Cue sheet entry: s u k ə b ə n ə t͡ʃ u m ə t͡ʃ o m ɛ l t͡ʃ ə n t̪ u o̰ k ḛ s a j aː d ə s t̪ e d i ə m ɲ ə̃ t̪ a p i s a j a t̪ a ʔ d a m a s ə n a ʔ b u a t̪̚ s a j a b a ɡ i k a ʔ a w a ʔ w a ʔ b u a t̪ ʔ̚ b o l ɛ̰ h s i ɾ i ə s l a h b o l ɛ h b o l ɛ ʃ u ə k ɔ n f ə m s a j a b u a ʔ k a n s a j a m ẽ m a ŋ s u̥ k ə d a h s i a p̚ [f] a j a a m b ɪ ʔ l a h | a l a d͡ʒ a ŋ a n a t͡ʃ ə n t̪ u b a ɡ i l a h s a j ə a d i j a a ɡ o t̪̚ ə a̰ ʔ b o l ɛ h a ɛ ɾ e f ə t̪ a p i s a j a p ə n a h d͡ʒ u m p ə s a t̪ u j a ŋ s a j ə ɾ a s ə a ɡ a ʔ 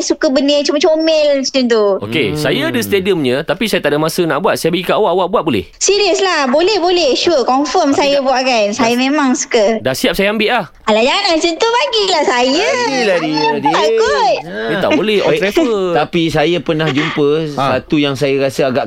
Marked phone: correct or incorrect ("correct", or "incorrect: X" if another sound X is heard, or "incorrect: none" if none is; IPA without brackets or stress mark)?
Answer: incorrect: s